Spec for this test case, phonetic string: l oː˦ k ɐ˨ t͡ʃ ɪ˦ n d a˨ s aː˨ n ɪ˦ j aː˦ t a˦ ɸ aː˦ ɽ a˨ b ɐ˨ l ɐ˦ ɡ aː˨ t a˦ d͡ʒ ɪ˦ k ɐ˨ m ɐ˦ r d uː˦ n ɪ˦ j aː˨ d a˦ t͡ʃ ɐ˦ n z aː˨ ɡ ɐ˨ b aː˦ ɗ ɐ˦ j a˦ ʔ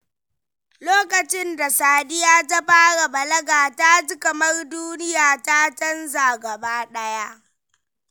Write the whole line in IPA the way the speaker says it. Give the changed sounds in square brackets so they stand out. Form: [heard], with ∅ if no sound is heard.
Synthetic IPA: l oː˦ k ɐ˨ t͡ʃ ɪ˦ n d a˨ s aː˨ [d] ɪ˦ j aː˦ t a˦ ɸ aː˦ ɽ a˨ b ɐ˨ l ɐ˦ ɡ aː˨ t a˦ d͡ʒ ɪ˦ k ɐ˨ m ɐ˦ r d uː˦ n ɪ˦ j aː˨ [t] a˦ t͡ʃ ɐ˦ n z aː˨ ɡ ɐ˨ b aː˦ ɗ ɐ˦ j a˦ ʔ

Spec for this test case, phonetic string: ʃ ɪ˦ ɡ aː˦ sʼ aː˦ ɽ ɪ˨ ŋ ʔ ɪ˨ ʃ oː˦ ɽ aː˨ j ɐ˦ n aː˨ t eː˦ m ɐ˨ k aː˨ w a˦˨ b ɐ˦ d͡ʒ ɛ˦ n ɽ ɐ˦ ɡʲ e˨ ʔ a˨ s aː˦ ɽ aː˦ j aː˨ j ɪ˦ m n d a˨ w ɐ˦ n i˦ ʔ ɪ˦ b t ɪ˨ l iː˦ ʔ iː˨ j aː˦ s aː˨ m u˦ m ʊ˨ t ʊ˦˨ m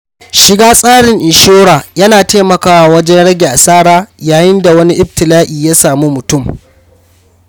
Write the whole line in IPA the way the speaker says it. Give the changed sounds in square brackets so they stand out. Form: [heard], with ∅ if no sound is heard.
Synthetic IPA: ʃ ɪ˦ ɡ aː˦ sʼ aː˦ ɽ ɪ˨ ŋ ʔ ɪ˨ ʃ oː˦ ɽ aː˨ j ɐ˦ n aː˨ t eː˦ m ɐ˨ k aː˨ w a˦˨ [w] ɐ˦ d͡ʒ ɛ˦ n ɽ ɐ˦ ɡʲ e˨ ʔ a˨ s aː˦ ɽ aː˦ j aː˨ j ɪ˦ [∅] n d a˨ w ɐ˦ n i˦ ʔ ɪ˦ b t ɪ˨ l [aː˦] ʔ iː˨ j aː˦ s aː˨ m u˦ m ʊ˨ t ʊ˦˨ m

